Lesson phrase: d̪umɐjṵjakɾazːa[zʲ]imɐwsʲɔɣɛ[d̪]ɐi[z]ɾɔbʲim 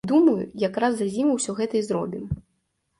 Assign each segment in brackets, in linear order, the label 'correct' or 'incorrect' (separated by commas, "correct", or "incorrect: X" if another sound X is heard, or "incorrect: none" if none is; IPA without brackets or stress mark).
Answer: correct, incorrect: t̪, correct